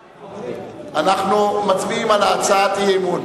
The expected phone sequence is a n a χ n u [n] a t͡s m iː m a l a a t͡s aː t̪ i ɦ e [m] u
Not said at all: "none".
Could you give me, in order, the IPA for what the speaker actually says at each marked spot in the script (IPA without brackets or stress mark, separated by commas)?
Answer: m, m